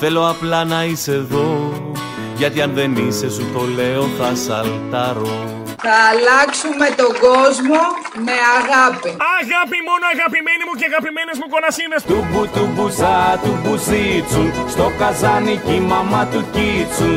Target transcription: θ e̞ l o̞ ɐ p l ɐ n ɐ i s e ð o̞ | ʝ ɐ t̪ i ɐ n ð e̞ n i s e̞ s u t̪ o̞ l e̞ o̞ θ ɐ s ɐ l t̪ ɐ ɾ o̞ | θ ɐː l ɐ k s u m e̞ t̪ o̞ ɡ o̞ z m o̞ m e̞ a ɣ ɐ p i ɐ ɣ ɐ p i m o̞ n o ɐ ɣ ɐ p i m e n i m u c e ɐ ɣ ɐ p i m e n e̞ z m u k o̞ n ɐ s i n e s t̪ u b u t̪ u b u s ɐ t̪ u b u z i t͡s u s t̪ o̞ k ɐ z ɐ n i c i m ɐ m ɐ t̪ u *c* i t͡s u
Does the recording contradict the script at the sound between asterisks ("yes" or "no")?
no